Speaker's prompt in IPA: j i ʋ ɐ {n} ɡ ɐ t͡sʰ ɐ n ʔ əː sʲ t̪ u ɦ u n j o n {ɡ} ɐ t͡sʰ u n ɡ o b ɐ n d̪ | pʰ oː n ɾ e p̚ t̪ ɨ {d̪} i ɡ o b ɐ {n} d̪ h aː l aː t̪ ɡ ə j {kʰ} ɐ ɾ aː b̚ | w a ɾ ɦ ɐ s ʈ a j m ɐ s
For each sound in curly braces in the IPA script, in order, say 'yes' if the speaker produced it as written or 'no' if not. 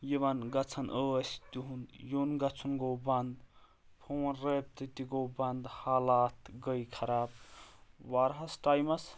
yes, yes, no, yes, yes

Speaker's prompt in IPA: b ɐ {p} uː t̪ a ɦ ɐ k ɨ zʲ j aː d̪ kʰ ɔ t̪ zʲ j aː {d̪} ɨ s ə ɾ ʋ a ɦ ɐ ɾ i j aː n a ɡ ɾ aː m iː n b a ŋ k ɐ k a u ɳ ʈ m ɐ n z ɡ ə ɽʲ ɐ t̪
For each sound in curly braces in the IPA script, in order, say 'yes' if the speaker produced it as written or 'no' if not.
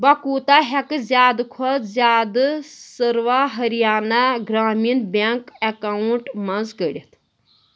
no, yes

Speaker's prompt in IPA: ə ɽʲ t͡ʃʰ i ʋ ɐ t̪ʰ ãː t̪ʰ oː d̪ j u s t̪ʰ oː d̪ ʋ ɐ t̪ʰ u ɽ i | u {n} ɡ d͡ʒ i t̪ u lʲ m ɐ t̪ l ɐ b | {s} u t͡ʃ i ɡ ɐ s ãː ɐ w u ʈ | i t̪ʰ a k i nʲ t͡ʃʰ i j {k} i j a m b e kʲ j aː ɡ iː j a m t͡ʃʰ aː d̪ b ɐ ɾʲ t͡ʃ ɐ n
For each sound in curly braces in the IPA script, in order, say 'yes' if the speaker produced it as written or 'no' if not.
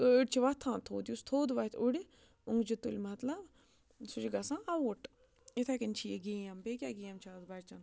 no, yes, no

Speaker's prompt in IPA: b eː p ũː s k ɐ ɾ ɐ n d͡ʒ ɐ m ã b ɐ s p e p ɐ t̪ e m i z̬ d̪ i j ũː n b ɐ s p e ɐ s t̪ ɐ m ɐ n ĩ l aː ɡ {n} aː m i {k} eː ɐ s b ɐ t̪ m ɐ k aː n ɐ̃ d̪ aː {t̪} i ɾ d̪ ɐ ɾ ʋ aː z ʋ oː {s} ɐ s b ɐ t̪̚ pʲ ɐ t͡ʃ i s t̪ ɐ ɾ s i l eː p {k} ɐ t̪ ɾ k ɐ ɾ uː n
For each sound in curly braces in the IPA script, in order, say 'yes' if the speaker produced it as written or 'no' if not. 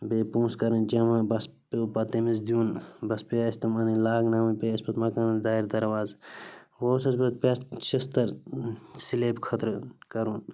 yes, no, no, yes, no

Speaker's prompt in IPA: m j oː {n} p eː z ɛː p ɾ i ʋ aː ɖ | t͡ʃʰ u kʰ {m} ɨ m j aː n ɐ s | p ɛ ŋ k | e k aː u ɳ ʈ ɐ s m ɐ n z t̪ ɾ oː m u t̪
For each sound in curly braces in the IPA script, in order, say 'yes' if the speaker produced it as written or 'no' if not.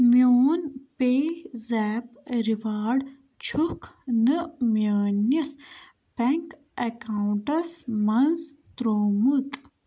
yes, no

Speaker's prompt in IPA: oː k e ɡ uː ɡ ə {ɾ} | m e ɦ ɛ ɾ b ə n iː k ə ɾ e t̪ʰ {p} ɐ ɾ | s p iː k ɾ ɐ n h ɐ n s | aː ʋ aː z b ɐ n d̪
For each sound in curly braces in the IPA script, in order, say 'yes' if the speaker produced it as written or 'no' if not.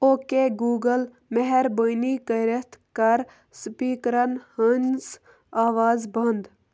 no, no

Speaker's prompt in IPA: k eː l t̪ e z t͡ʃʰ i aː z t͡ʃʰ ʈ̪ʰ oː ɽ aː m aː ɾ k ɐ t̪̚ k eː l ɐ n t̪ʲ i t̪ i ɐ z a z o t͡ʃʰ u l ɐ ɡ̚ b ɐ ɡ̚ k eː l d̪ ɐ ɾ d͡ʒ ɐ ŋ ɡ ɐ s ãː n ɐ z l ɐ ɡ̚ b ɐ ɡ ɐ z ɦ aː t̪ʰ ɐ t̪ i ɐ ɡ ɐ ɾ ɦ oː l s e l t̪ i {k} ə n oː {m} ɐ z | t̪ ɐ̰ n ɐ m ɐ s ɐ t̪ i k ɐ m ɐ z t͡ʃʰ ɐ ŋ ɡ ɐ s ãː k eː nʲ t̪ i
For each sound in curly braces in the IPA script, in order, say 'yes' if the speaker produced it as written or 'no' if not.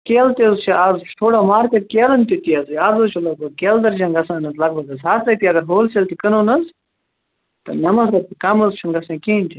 yes, no

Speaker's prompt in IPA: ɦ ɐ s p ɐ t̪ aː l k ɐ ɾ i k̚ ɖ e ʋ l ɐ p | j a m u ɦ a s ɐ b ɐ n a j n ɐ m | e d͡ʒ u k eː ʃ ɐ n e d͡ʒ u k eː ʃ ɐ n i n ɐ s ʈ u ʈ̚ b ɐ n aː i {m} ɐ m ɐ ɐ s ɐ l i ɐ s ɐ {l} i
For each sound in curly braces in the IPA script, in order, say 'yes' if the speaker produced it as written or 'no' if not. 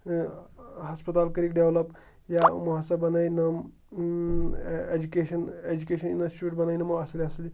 no, yes

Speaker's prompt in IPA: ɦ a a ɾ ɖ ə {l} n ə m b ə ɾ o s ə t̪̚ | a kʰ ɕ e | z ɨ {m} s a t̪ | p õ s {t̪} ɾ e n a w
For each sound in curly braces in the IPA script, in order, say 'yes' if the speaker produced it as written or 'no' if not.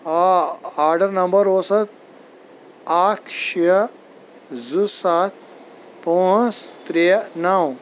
no, no, yes

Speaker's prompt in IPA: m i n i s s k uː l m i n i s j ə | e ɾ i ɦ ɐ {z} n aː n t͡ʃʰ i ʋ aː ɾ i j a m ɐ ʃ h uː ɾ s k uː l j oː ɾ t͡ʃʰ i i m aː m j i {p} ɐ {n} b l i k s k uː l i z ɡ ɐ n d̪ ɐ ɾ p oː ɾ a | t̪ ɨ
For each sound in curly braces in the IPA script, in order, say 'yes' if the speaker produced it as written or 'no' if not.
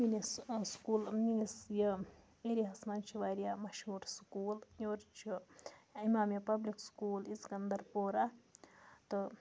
no, yes, no

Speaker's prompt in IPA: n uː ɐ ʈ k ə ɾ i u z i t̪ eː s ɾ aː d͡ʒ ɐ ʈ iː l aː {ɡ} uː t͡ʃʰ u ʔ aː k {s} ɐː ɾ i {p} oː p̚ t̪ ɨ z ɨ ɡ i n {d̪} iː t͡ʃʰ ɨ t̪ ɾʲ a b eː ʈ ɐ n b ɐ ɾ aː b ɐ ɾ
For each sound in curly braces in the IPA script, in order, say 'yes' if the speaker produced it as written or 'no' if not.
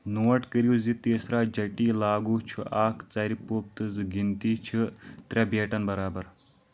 yes, no, yes, no

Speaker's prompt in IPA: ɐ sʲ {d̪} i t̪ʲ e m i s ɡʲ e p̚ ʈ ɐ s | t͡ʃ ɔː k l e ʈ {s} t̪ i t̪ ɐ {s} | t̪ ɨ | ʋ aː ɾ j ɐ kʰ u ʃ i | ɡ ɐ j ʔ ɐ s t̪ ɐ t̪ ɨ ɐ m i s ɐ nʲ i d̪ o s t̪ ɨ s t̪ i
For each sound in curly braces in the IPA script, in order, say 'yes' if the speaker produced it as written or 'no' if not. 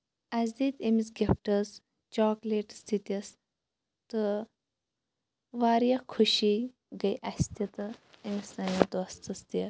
yes, yes, yes

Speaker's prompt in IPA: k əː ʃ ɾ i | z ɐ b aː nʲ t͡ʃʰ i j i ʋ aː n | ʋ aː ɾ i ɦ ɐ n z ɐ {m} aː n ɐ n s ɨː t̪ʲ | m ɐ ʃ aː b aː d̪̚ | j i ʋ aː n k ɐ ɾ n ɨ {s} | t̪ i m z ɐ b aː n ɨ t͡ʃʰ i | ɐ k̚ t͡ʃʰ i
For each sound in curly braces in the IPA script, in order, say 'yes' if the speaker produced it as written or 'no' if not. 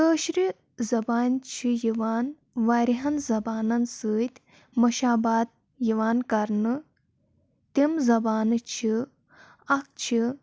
no, no

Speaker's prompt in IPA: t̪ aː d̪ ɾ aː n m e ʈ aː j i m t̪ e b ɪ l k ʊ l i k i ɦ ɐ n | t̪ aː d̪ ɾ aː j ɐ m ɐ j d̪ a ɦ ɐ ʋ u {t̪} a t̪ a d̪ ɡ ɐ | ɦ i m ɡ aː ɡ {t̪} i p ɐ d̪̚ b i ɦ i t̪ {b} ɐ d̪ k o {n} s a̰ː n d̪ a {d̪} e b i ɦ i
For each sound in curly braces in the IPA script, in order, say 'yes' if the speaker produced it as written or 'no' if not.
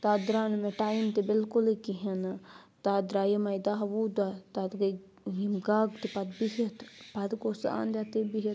no, yes, no, no, no

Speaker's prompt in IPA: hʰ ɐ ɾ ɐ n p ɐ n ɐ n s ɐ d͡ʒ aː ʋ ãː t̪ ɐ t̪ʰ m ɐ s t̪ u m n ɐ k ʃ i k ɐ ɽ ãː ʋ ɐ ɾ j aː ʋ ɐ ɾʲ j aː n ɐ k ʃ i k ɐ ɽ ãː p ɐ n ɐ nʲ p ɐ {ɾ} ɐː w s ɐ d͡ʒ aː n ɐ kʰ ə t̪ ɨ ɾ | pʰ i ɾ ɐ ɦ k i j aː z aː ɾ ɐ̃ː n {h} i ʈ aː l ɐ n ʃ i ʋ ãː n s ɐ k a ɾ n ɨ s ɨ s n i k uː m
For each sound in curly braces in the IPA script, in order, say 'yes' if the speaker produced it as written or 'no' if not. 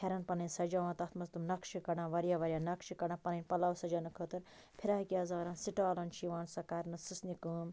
no, no

